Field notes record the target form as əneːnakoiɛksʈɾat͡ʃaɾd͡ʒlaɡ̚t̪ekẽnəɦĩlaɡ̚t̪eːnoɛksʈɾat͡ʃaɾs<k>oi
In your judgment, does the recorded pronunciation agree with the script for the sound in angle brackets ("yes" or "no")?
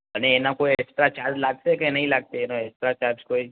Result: yes